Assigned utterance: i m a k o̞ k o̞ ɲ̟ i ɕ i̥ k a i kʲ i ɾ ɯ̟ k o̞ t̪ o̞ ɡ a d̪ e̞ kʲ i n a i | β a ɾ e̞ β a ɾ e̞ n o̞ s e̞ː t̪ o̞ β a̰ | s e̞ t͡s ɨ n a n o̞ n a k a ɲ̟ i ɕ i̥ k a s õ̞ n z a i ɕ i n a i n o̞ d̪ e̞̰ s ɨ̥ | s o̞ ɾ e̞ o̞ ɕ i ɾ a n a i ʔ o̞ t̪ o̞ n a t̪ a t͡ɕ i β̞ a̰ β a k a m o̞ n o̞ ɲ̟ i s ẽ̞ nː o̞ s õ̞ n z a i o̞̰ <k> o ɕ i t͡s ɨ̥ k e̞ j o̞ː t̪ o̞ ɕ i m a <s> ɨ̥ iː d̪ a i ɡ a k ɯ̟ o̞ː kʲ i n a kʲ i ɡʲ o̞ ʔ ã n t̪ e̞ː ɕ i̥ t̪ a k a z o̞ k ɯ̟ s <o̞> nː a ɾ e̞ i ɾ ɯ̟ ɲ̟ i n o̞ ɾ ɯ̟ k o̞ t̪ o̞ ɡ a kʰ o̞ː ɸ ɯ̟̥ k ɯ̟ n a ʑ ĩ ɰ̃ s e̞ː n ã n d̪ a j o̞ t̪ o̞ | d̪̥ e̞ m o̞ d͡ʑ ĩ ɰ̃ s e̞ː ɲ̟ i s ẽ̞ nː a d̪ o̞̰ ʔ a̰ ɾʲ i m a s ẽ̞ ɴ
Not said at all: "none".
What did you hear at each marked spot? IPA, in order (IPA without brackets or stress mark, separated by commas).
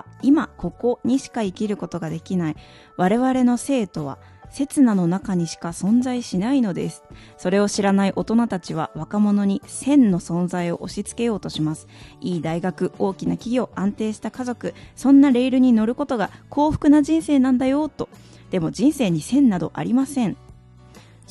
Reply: ʔ, s, õ̞